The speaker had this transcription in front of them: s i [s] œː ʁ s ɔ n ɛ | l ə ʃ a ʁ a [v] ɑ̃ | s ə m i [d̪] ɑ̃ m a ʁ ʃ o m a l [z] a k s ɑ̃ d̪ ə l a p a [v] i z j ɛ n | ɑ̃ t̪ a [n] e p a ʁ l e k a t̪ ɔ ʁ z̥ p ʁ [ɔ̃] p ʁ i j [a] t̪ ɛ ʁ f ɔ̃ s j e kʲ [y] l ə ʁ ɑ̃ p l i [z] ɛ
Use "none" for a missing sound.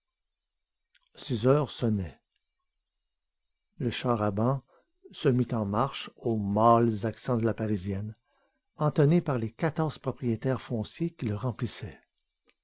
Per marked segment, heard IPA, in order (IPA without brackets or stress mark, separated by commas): z, b, t̪, z, ʁ, n, ɔ, e, i, s